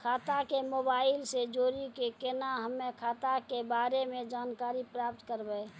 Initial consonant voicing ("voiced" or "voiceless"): voiceless